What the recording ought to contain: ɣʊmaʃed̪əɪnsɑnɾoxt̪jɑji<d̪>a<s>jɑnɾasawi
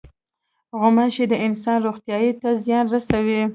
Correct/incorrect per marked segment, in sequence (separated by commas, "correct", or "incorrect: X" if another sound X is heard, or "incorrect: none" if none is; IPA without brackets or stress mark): incorrect: t̪, incorrect: z